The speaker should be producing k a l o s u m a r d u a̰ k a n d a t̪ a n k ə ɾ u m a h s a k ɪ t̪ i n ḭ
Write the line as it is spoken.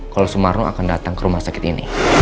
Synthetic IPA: k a l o s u m a r n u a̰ k a n d a t̪ a ŋ k ə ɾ u m a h s a k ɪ t̪ i n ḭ